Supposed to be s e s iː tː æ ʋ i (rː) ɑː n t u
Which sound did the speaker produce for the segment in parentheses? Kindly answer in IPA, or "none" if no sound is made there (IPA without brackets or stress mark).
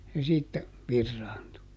rː